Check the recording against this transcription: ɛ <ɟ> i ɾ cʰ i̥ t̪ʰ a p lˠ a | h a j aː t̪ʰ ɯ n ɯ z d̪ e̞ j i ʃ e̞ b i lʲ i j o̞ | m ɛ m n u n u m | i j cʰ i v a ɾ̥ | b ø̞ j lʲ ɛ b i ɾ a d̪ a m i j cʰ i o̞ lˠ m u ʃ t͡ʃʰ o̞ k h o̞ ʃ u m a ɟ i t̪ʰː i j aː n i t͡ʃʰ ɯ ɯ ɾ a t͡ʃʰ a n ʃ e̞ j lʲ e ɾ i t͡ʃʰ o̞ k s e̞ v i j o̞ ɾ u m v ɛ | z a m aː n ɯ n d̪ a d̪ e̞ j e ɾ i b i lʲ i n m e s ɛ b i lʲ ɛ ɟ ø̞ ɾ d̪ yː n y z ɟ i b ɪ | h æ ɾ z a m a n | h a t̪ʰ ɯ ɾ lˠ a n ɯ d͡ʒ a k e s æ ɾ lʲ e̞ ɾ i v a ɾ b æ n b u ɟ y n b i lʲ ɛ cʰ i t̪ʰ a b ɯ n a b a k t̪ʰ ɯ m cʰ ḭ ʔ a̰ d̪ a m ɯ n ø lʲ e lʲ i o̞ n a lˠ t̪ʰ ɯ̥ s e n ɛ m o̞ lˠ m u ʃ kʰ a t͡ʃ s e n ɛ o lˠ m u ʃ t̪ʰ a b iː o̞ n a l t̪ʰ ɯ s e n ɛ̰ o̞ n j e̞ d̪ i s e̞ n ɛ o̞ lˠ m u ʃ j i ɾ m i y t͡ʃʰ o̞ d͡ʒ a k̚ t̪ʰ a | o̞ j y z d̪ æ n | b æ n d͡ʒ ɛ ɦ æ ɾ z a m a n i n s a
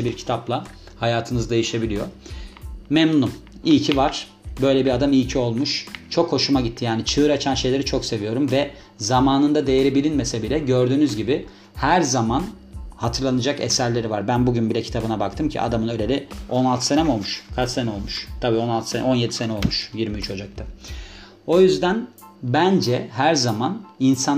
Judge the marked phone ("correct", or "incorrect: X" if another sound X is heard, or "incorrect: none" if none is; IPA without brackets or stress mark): incorrect: b